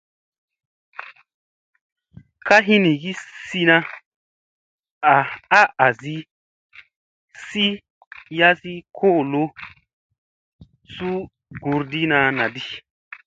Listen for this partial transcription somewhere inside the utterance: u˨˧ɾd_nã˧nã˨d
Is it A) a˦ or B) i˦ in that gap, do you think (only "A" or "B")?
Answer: B